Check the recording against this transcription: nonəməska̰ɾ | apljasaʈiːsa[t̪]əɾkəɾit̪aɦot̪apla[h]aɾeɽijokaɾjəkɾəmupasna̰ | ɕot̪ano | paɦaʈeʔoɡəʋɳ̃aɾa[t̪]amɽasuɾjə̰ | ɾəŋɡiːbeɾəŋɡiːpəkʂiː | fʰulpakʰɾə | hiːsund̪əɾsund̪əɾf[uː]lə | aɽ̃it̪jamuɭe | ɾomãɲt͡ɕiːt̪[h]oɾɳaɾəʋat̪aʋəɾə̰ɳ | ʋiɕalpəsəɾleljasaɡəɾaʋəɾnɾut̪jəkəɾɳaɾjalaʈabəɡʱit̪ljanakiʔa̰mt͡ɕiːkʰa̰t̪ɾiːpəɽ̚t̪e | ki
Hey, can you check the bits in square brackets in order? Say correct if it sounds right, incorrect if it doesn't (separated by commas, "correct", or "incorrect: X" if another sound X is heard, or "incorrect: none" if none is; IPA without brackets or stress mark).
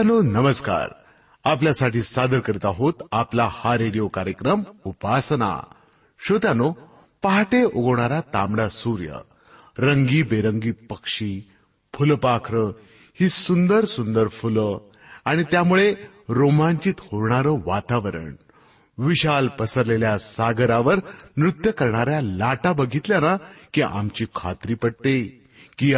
incorrect: d̪, correct, correct, incorrect: u, correct